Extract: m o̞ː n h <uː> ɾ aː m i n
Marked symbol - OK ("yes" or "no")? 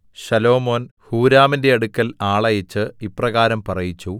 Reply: yes